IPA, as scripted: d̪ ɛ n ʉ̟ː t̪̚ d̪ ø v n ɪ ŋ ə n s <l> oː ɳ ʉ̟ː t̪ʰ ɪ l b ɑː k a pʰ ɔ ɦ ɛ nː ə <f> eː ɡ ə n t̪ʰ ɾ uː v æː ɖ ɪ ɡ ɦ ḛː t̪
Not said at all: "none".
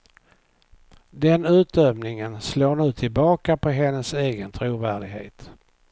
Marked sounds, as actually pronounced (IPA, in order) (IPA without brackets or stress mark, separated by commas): l, s